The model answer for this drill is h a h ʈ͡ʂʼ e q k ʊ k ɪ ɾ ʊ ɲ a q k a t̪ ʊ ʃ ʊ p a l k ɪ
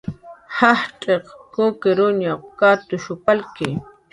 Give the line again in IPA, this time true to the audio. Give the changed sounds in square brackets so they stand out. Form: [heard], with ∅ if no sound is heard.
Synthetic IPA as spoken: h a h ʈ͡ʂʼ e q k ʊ k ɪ ɾ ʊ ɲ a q k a t̪ ʊ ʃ ʊ p a l k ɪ

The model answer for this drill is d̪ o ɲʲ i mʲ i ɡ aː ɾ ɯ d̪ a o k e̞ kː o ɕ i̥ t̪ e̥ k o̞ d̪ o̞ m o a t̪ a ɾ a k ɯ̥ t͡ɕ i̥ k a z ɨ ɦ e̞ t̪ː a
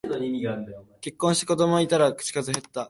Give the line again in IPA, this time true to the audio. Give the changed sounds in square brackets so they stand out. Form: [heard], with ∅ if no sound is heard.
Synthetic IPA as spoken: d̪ o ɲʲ i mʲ i ɡ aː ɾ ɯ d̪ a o k e̞ kː [õ] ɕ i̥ t̪ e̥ k o̞ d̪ o̞ m o [i] t̪ a ɾ a k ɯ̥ t͡ɕ i̥ k a z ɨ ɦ e̞ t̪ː a

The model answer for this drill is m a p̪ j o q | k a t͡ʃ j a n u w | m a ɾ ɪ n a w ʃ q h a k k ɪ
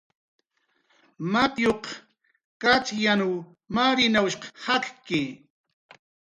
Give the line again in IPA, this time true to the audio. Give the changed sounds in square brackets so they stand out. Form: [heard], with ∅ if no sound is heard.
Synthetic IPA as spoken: m a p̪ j o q | k a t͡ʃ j a n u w | m a ɾ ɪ n a w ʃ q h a k k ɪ

